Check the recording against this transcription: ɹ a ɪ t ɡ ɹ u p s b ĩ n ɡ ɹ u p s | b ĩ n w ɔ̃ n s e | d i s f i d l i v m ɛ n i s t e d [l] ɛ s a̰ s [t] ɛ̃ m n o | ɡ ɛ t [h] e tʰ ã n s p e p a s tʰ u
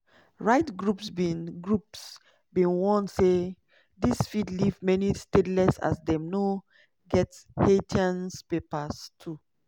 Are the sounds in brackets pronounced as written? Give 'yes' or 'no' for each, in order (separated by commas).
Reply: yes, no, yes